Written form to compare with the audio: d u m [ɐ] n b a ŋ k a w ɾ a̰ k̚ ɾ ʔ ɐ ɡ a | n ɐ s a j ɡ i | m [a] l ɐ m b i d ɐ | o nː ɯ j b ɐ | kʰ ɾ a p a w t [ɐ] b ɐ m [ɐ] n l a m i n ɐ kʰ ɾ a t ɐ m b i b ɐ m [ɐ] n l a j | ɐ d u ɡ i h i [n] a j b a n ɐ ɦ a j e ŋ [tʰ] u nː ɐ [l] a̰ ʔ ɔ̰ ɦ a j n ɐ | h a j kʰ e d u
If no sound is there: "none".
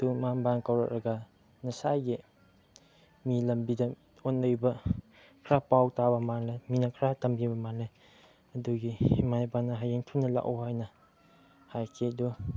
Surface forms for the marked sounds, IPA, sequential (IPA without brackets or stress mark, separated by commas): a, i, a, a, a, m, tʰ, l